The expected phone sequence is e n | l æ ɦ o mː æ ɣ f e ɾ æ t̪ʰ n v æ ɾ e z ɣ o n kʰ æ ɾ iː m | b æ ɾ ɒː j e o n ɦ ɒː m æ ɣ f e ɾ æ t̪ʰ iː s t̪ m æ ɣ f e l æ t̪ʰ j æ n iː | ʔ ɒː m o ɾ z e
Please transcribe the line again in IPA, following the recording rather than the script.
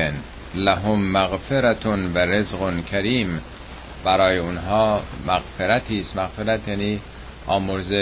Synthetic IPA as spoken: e n | l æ ɦ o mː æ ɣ f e ɾ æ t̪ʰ n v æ ɾ e z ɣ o n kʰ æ ɾ iː m | b æ ɾ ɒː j e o n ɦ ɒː m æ ɣ f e ɾ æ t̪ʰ iː s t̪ m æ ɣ f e ɾ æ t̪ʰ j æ n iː | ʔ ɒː m o ɾ z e